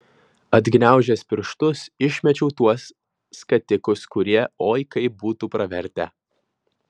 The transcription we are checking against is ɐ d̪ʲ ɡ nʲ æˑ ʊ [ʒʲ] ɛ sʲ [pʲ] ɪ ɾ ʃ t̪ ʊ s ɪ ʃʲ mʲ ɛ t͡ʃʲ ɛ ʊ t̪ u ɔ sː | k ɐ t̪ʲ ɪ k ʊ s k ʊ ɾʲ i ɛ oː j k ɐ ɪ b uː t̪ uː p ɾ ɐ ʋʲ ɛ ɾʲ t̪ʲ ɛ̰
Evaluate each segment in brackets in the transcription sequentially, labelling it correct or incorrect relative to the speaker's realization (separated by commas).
correct, correct